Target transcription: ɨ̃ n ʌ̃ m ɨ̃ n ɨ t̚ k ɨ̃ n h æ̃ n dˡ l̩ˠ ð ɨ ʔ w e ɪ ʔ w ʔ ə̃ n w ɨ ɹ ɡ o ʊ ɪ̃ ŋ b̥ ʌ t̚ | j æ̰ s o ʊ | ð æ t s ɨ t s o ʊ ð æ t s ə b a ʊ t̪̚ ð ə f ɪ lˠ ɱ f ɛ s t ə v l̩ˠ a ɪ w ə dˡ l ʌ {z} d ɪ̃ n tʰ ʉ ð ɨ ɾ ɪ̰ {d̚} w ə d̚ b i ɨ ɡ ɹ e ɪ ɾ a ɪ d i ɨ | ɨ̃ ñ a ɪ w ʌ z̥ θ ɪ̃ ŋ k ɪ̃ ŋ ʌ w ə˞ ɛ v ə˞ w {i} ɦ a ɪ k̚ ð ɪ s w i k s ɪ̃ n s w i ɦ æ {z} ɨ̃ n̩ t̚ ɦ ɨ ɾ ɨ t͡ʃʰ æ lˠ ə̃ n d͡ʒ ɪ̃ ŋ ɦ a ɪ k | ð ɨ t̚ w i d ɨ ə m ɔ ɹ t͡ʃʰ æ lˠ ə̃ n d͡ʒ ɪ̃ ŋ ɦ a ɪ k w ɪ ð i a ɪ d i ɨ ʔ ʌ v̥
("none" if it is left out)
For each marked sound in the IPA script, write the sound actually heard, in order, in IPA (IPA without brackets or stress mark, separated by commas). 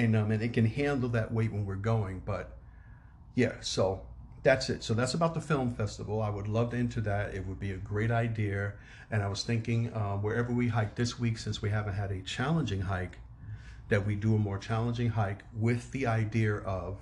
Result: v, t̚, i, v